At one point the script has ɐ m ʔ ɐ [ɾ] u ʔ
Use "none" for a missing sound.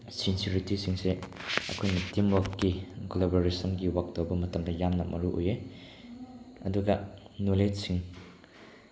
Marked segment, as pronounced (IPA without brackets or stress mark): ɾ